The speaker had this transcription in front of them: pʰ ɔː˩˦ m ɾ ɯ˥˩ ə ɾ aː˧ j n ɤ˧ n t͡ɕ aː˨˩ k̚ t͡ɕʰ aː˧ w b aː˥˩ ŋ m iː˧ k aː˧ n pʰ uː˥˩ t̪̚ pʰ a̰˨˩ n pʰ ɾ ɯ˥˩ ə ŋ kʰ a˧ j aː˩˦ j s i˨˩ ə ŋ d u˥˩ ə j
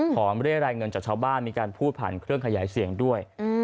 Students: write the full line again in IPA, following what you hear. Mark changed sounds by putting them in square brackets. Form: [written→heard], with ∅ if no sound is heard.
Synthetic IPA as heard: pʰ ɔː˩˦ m ɾ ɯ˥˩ ə ɾ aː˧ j [n→ŋ] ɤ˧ n t͡ɕ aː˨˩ k̚ t͡ɕʰ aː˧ w b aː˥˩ [ŋ→n] m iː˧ k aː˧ n pʰ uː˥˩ t̪̚ pʰ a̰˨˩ n [pʰ→kʰ] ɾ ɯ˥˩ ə ŋ kʰ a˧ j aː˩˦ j s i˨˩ ə ŋ d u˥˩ ə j